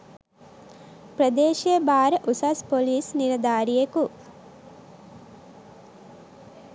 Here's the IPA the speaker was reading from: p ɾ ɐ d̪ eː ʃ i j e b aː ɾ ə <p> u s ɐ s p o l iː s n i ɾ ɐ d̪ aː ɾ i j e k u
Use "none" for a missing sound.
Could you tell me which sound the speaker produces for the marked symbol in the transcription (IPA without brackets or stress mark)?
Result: ʔ